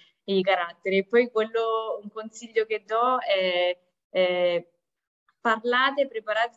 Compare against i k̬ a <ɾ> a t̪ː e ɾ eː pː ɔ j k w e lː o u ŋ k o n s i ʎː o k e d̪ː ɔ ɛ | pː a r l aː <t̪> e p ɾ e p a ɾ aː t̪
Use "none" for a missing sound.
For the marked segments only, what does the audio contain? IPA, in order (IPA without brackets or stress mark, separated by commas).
ɾ, t̪